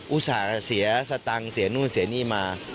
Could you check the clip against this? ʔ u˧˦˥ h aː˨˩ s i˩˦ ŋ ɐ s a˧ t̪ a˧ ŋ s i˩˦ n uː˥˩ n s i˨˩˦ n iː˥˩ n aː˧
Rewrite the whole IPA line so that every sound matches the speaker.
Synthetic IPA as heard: ʔ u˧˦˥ s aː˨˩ s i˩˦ ɐ s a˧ t̪ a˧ ŋ s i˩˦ n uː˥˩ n s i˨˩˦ n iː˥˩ m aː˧